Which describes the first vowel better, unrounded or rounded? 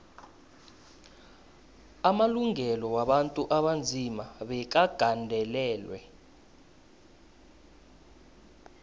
unrounded